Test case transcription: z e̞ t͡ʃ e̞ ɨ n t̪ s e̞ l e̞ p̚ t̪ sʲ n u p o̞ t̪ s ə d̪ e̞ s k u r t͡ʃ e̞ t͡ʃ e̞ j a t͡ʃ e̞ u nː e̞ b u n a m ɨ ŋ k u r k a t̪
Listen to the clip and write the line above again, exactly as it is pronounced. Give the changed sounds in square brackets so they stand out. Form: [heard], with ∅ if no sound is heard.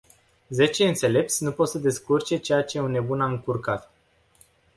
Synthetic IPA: z e̞ t͡ʃ e̞ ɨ n t̪ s e̞ l e̞ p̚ t̪ sʲ n u p o̞ t̪ s ə d̪ e̞ s k u r t͡ʃ e̞ t͡ʃ e̞ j a t͡ʃ e̞ u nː e̞ b u n a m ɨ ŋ k u r k a t̪